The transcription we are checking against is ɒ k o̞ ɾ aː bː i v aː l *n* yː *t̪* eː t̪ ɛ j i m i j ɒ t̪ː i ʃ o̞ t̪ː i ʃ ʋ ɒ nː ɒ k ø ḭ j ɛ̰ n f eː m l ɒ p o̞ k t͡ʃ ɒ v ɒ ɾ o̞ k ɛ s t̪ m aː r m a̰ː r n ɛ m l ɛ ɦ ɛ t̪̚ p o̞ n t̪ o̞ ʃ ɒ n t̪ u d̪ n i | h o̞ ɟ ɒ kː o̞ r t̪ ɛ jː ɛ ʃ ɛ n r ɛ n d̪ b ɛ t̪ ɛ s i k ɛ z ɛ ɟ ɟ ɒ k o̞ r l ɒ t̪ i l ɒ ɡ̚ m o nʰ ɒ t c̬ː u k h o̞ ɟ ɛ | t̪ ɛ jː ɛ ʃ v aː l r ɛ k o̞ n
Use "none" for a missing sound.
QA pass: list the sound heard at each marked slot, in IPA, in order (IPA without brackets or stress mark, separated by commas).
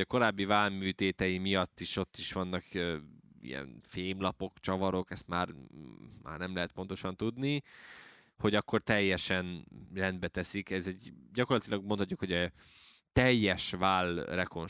m, t̪